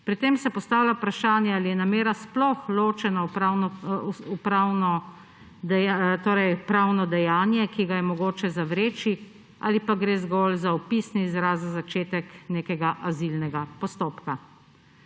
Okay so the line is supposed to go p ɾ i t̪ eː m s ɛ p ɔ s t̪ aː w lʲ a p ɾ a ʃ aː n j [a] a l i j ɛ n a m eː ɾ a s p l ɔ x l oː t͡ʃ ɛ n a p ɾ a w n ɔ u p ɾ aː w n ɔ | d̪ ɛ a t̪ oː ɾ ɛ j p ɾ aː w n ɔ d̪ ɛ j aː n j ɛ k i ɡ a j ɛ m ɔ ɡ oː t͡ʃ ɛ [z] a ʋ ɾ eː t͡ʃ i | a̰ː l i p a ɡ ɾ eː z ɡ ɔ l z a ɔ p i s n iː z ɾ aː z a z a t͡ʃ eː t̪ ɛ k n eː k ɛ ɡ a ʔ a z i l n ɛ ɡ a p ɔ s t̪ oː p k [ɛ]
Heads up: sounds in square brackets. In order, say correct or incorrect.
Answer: incorrect: ɛ, correct, incorrect: a

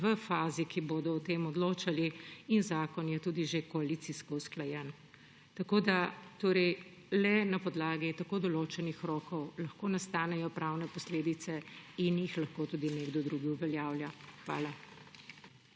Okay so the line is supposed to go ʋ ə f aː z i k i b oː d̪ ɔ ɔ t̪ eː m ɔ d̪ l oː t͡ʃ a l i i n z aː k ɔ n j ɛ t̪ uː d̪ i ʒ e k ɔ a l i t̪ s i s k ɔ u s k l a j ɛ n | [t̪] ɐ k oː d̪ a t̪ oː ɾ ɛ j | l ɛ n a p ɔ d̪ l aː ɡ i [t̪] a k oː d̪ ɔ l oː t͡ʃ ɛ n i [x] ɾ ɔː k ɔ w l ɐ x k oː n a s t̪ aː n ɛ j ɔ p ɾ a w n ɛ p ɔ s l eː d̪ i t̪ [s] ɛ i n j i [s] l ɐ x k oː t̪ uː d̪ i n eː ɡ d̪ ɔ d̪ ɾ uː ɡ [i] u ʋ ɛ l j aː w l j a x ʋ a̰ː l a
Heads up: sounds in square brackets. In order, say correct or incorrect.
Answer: correct, correct, correct, correct, incorrect: x, correct

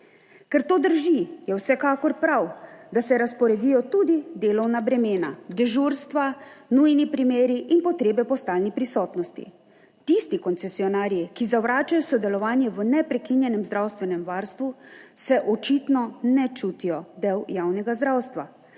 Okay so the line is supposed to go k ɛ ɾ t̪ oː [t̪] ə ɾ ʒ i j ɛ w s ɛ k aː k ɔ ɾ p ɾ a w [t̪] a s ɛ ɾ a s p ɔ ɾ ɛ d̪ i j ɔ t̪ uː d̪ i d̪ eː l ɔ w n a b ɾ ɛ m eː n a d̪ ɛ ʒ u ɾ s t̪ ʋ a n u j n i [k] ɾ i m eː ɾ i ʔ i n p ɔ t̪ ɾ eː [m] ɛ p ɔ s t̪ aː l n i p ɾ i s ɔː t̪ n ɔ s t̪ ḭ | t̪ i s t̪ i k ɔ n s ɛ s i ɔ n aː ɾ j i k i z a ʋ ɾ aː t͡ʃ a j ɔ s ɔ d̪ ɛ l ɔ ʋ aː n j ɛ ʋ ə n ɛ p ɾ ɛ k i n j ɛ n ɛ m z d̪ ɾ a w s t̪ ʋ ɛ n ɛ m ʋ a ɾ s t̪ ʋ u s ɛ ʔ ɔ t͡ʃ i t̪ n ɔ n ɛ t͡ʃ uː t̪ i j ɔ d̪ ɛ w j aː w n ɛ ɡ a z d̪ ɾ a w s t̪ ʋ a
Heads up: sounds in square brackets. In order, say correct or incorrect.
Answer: incorrect: d̪, incorrect: d̪, incorrect: p, incorrect: b

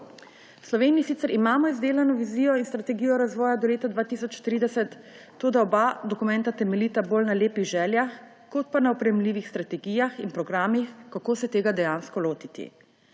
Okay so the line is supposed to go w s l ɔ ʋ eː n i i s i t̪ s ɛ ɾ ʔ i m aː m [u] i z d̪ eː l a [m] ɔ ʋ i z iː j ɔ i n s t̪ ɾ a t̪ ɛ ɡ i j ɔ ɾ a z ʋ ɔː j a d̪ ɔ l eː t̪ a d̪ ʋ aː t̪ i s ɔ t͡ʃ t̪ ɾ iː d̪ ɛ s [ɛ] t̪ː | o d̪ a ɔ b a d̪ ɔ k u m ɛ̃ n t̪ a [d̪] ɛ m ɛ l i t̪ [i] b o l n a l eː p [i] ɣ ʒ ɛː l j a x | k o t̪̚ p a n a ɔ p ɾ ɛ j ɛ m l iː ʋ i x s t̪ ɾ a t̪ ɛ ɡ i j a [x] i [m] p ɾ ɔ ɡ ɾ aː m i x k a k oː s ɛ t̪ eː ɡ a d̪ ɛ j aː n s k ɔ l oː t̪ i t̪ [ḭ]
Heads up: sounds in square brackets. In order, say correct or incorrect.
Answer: incorrect: ɔ, incorrect: n, correct, incorrect: t̪, incorrect: a, correct, correct, incorrect: n, correct

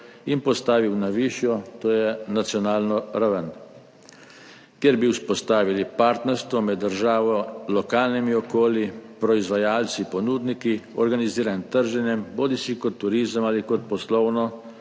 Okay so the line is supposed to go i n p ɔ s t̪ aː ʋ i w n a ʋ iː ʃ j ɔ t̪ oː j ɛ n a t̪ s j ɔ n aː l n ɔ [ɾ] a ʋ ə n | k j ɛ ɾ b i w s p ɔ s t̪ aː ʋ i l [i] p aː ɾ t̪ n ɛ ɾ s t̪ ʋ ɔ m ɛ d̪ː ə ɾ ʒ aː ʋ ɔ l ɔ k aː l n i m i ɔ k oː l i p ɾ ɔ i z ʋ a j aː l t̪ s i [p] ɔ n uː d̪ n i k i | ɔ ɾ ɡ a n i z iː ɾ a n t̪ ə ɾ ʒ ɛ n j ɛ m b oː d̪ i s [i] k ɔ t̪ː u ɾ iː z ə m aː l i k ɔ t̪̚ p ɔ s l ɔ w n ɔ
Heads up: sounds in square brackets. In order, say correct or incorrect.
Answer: correct, correct, correct, correct

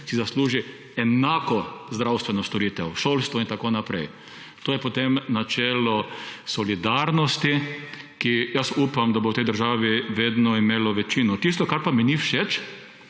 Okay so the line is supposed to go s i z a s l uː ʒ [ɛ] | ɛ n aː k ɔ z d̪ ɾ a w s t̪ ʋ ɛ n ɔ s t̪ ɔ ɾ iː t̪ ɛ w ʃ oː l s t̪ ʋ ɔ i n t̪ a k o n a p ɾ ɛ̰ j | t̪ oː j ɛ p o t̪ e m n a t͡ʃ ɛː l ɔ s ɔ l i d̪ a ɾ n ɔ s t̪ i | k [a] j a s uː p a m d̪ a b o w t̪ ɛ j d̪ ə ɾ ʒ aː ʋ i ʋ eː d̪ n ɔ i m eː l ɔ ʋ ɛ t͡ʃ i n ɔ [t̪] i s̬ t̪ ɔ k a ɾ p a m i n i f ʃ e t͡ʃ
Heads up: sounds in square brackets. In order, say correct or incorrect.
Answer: incorrect: i, incorrect: i, correct

